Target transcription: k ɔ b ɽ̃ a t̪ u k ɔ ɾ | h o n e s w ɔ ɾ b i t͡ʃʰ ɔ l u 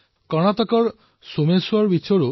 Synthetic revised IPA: k ɔ ɽ̃ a t̪ ɔ k ɔ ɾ | s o m e s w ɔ ɾ b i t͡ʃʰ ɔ ɾ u